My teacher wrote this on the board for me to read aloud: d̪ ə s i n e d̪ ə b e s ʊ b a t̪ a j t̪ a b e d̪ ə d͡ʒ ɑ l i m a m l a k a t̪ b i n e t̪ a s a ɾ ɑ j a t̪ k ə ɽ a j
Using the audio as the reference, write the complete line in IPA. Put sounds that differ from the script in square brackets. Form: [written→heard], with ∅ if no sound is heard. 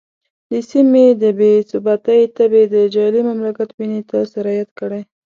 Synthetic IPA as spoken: d̪ ə s i [n→m] e d̪ ə b e s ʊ b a t̪ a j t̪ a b e d̪ ə d͡ʒ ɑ l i m a m l a k a t̪ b i n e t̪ a s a ɾ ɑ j a t̪ k ə ɽ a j